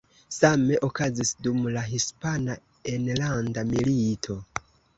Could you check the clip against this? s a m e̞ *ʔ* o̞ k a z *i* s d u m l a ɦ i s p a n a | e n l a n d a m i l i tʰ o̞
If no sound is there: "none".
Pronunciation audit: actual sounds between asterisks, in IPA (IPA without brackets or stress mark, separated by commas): ʔ, i